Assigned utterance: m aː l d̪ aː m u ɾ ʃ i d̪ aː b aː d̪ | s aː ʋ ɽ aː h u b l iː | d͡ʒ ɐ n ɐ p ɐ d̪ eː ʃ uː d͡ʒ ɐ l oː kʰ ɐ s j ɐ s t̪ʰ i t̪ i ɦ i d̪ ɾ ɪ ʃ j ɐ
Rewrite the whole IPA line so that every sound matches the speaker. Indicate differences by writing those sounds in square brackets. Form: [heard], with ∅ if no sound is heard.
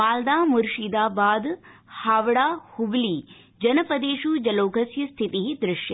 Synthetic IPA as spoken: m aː l d̪ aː m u ɾ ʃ i d̪ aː b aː d̪ | [h] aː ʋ ɽ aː h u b l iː | d͡ʒ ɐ n ɐ p ɐ d̪ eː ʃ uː d͡ʒ ɐ l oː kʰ ɐ s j ɐ s t̪ʰ i t̪ i ɦ i d̪ ɾ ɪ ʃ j ɐ